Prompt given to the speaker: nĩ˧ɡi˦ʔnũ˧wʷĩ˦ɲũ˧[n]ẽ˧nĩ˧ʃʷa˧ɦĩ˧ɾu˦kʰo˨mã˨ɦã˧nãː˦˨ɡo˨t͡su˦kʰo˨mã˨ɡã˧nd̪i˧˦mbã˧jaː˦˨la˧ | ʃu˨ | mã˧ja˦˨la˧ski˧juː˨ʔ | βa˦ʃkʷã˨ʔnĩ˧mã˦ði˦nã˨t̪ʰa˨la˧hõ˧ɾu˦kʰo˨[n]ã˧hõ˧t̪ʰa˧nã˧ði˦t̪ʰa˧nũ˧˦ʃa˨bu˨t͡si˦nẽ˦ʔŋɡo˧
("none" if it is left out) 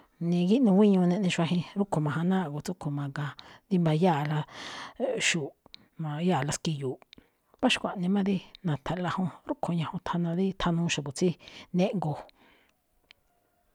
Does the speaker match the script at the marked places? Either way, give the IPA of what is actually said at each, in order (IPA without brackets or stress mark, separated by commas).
n, ɲ